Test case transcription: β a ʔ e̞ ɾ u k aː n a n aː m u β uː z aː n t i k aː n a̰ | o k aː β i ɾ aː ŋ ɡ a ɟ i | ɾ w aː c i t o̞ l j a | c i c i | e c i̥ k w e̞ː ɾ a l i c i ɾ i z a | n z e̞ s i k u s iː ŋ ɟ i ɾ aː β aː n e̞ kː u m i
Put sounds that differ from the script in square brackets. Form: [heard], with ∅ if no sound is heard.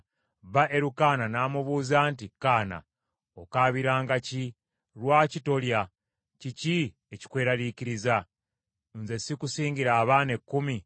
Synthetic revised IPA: β a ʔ e̞ ɾ u k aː n a n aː m u β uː z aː n t i k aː n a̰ | o k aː β i ɾ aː ŋ ɡ a [c] i | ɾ w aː c i t o̞ l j a | c i c i | e c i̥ k w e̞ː ɾ a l i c i ɾ i z a | n z e̞ s i k u s iː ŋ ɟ i ɾ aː β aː n e̞ kː u m i